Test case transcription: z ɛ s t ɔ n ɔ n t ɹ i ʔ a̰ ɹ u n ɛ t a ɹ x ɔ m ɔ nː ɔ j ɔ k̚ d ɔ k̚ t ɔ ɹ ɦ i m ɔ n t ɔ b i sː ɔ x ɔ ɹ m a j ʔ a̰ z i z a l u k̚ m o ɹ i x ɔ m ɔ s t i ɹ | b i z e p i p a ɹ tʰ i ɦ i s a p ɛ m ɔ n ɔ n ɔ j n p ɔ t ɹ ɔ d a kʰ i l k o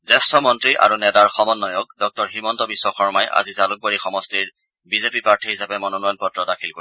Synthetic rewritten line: z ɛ s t ɔ m ɔ n t ɹ i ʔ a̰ ɹ u n ɛ t a ɹ x ɔ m ɔ nː ɔ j ɔ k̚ d ɔ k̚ t ɔ ɹ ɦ i m ɔ n t ɔ b i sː ɔ x ɔ ɹ m a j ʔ a̰ z i z a l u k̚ b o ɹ i x ɔ m ɔ s t i ɹ | b i z e p i p a ɹ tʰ i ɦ i s a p ɛ m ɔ n ɔ n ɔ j n p ɔ t ɹ ɔ d a kʰ i l k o